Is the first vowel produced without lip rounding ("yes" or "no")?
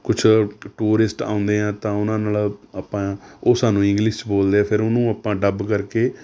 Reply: no